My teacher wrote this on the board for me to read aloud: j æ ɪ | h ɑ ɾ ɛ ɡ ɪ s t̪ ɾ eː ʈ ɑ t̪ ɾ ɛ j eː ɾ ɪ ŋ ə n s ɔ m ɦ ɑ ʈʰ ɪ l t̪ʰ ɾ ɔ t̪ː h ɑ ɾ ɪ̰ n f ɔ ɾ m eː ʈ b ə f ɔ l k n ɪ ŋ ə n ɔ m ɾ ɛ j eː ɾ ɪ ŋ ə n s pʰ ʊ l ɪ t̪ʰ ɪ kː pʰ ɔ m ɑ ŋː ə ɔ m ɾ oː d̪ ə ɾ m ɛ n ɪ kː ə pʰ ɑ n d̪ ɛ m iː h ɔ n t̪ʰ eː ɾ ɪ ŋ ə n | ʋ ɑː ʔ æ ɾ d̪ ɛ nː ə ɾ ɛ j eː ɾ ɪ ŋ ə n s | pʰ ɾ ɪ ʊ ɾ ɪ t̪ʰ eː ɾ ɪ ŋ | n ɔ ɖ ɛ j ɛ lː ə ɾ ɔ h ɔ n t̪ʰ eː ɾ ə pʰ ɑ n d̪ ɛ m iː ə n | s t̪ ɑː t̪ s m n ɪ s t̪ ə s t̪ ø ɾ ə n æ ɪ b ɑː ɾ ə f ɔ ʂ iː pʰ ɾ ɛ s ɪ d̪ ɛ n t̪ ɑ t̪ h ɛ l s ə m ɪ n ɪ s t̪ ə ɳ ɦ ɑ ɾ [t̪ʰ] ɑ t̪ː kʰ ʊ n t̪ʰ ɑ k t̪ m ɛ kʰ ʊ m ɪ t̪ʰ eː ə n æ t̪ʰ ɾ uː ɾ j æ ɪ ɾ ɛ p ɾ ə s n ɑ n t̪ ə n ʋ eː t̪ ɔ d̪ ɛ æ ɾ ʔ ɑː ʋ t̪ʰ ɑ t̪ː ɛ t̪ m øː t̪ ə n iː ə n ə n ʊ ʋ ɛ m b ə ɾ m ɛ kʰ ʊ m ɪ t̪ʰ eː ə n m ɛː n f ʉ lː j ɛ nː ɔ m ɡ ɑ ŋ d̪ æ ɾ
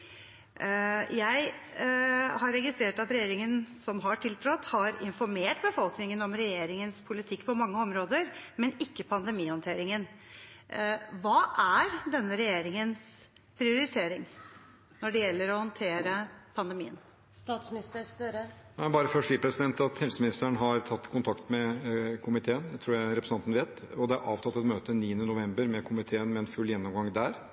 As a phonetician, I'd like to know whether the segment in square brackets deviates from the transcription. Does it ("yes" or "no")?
no